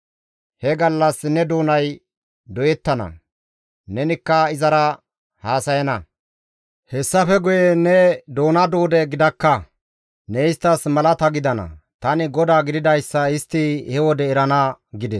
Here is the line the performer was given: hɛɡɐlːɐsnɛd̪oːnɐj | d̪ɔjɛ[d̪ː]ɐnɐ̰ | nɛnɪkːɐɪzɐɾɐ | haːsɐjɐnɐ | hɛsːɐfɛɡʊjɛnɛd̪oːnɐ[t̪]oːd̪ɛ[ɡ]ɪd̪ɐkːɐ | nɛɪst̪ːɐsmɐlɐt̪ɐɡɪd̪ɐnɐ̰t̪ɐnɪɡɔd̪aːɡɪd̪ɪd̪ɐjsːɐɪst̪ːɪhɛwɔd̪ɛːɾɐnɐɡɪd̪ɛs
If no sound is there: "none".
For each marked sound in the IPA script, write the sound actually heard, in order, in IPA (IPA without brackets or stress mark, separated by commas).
t̪ː, d̪, ɡ